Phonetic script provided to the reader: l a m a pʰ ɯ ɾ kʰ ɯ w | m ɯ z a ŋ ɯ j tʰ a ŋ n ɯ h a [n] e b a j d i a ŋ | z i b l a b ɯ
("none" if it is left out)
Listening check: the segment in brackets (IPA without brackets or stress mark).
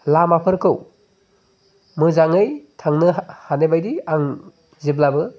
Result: n